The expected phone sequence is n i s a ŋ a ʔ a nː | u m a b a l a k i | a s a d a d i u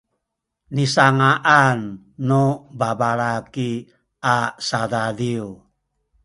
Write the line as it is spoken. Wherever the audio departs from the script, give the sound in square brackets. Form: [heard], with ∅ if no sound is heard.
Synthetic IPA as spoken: n i s a ŋ a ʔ a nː | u [b] a b a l a k i | a s a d a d i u

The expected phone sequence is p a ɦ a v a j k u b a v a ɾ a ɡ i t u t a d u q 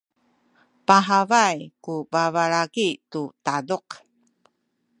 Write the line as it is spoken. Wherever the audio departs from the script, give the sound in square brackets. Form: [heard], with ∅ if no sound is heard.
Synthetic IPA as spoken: p a ɦ a v a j k u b a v a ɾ a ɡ i t u t a d u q

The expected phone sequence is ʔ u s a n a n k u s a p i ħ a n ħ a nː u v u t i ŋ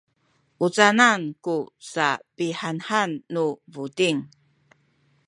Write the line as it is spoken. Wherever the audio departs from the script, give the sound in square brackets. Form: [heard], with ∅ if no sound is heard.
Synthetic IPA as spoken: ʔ u [t͡s] a n a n k u s a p i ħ a n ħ a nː u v u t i ŋ

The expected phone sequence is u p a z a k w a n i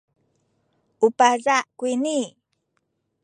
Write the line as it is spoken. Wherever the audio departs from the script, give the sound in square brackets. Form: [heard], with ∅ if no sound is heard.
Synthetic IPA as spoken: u p a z a k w [i] n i

